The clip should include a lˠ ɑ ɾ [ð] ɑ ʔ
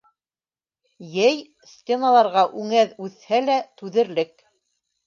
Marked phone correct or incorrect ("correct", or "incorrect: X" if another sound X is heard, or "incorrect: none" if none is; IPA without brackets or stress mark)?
incorrect: ʁ